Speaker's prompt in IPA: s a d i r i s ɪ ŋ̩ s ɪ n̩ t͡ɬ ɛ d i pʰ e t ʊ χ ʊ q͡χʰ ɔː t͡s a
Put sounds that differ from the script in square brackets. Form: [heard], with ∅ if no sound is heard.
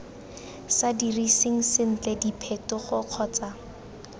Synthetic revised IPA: s a d i r i s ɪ ŋ̩ s ɪ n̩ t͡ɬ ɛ d i pʰ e t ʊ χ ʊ q͡χʰ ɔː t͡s a